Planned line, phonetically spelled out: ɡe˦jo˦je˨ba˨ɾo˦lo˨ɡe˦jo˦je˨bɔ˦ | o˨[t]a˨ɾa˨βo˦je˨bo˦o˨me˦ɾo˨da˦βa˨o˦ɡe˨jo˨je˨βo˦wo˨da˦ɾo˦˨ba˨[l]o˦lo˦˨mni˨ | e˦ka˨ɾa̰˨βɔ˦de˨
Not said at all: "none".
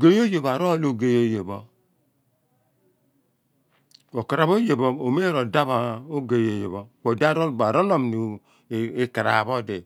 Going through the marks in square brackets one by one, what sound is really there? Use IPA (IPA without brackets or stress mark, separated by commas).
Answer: k, ɾ